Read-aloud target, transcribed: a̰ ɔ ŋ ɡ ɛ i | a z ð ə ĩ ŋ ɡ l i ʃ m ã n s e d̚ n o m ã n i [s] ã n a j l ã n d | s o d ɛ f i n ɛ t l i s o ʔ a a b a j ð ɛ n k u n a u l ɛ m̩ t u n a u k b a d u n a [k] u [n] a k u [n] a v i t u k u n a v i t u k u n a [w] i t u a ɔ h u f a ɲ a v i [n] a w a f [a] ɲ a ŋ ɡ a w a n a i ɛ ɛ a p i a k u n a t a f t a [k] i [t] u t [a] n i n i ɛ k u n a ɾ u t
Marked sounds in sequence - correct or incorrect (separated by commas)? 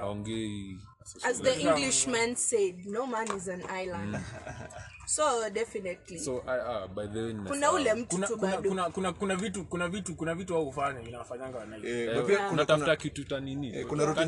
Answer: incorrect, correct, correct, correct, incorrect, correct, correct, correct, correct, correct